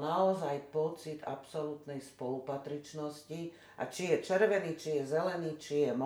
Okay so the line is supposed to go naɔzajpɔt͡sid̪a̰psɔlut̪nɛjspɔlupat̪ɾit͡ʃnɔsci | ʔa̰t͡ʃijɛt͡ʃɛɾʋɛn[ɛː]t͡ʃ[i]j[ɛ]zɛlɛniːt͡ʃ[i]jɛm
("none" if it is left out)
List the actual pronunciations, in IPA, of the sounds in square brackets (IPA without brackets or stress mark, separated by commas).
iː, i, ɛ, i